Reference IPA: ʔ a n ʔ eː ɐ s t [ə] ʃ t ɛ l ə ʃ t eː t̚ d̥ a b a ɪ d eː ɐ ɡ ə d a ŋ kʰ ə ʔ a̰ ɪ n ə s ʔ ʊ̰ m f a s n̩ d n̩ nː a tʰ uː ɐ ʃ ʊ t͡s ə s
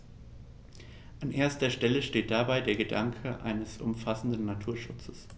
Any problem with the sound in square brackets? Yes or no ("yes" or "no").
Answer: yes